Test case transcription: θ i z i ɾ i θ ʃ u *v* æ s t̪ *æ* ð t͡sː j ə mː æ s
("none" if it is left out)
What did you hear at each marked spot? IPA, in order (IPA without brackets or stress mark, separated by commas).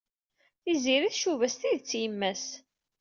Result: v, i